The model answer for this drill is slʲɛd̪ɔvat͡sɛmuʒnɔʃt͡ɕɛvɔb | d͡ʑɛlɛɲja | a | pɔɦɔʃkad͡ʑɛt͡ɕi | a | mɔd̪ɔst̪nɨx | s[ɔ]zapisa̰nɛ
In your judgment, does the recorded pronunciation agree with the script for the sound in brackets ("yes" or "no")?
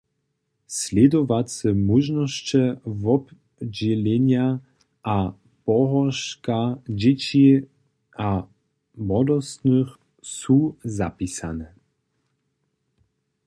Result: no